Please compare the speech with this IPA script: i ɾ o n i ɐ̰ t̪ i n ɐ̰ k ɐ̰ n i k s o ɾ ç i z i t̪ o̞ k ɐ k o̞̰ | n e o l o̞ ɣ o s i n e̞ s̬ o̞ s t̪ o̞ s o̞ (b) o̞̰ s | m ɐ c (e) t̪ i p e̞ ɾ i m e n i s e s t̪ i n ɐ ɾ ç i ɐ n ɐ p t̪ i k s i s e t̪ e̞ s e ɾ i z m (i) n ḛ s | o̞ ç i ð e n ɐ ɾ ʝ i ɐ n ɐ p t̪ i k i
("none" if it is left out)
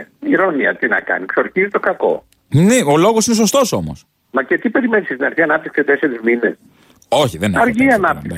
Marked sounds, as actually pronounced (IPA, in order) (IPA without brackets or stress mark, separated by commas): m, e, i